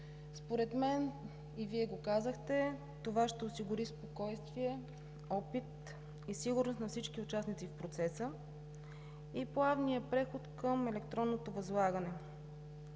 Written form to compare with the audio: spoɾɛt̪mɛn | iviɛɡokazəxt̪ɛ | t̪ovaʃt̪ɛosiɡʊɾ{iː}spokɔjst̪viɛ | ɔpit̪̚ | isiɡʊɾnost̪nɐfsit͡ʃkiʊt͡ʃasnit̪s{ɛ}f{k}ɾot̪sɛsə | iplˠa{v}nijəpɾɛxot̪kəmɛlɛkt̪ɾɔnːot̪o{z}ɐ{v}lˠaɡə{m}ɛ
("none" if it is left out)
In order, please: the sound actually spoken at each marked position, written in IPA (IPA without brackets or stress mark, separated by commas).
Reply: i, i, p, v, v, z, n